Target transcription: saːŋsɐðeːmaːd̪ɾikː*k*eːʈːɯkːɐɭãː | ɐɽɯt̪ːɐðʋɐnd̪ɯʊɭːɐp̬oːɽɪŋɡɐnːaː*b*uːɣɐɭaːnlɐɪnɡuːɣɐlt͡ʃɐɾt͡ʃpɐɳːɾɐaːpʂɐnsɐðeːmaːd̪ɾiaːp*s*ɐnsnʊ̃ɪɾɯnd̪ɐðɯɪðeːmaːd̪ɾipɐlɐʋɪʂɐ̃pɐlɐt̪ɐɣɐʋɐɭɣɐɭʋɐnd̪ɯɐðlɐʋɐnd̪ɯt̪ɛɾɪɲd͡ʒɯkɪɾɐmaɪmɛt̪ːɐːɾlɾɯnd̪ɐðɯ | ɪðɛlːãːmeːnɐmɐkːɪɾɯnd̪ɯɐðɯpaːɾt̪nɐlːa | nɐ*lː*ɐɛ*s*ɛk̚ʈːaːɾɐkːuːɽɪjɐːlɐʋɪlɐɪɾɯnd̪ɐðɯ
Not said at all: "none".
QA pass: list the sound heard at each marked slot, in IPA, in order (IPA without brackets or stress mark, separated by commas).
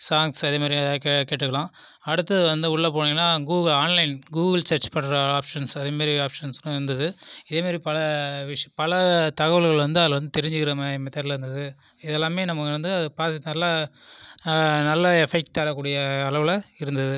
k, ɡ, ʂ, lː, f